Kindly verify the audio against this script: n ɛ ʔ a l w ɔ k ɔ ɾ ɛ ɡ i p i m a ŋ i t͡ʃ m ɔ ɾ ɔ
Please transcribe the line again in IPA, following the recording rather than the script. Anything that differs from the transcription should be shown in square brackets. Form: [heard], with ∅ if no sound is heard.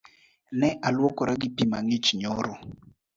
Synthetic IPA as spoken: n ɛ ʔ a l w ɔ k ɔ ɾ [a] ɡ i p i m a ŋ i t͡ʃ [ɲ] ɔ ɾ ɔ